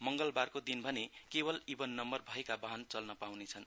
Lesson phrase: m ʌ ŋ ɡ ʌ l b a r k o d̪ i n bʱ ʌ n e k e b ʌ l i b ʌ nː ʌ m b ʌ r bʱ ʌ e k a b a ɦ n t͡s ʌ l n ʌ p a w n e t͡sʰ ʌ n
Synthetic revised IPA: m ʌ ŋ ɡ ʌ l b a r k o d̪ i n bʱ ʌ n e k e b ʌ l i b ʌ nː ʌ m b ʌ r bʱ ʌ e k a b a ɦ n t͡s ʌ l n ʌ p a w n e t͡sʰ ʌ n